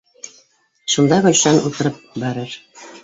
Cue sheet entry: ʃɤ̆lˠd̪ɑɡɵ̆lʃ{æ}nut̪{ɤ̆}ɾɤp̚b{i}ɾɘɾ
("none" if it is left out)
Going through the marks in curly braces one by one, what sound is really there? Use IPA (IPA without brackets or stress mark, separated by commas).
æ, ɤ̆, æ